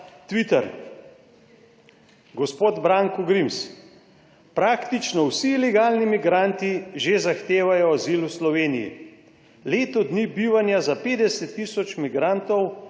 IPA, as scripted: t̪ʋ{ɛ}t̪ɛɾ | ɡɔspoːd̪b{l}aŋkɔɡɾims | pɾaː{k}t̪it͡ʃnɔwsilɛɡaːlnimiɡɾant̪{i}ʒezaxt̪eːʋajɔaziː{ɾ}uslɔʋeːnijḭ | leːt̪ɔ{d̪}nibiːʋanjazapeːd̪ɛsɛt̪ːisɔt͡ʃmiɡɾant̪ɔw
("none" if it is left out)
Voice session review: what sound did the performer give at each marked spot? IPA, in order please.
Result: i, ɾ, k, i, l, d̪

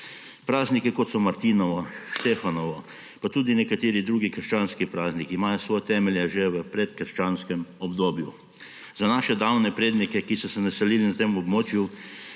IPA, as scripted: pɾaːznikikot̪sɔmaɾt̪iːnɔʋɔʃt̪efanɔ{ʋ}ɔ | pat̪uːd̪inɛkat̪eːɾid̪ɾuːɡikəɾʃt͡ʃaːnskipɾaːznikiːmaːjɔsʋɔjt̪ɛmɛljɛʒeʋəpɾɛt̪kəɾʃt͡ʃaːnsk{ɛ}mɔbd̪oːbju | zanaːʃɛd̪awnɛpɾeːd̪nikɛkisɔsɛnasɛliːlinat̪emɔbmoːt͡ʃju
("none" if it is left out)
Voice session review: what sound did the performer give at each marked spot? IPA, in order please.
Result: ʋ, ɛ

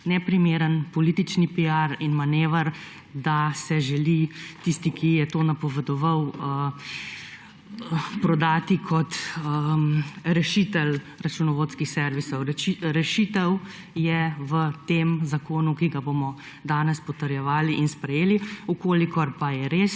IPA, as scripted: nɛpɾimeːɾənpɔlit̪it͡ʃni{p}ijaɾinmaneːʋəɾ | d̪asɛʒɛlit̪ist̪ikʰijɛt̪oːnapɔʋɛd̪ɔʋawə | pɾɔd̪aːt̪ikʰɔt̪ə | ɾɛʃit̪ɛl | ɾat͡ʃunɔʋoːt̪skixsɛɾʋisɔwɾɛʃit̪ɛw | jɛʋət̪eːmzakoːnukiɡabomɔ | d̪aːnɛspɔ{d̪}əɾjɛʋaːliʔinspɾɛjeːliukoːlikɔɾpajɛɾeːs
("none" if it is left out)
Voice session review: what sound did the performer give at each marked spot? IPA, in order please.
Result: p, t̪

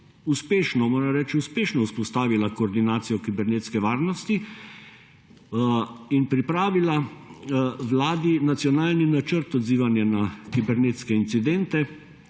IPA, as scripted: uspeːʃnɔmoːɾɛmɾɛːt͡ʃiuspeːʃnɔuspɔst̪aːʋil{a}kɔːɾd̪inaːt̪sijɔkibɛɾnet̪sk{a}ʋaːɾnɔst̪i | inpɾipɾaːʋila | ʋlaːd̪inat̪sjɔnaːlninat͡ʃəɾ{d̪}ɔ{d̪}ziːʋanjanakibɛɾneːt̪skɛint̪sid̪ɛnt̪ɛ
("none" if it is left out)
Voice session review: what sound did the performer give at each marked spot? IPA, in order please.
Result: a, ɛ, t̪, d̪

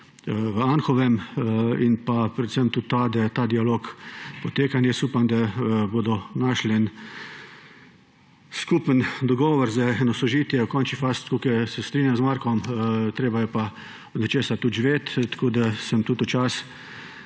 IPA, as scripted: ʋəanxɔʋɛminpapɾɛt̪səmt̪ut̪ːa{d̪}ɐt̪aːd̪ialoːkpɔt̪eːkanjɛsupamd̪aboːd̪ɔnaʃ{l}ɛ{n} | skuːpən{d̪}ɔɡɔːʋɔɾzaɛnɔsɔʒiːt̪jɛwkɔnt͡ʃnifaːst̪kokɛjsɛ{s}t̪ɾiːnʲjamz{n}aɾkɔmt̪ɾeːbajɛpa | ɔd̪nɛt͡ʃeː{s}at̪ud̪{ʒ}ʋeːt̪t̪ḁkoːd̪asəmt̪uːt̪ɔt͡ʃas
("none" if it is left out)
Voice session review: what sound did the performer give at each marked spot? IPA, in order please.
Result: d̪, l, n, d̪, s, m, s, ʒ

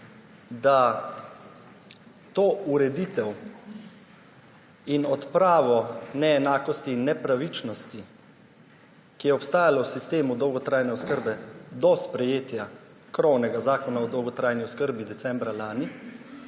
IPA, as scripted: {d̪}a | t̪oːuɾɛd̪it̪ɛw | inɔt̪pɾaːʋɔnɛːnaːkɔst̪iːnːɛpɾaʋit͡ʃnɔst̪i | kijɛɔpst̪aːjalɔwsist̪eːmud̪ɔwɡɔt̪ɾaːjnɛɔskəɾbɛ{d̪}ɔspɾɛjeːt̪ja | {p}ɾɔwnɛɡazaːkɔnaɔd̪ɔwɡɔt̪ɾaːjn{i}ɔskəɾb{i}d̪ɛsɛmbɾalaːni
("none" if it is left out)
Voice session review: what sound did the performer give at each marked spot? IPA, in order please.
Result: d̪, d̪, k, i, i

